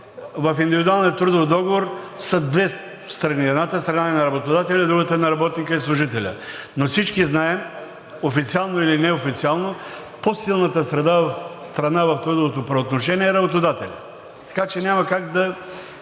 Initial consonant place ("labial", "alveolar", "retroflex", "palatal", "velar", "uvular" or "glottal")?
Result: labial